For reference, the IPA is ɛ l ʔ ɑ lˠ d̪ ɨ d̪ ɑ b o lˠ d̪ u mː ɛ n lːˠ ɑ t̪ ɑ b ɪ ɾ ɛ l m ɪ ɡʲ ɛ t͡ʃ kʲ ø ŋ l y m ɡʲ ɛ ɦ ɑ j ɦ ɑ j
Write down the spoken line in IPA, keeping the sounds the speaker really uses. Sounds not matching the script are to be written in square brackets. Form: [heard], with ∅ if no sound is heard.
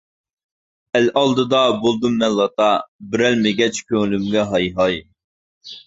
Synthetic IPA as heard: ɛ l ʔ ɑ lˠ d̪ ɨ d̪ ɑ b o lˠ d̪ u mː ɛ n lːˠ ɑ t̪ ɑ b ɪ ɾ ɛ l m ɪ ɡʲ ɛ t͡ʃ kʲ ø ŋ l y m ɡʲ ɛ ɦ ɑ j ɦ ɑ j